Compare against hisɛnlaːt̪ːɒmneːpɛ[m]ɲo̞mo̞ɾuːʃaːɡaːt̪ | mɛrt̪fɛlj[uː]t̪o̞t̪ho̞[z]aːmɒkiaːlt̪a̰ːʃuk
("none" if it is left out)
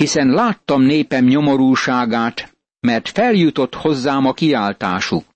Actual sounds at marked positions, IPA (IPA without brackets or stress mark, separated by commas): m, u, zː